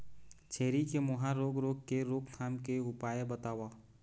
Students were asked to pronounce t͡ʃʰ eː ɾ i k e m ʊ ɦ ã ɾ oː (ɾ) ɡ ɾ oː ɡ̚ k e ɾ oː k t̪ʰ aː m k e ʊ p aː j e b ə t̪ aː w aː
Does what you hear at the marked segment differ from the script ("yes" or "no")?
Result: yes